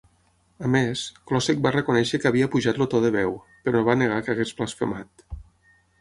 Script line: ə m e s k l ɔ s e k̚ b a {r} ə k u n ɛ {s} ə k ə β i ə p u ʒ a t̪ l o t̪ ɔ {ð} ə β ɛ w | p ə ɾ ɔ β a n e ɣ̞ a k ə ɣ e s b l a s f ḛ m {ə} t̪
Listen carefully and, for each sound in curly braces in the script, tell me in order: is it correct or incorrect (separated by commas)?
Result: correct, incorrect, correct, incorrect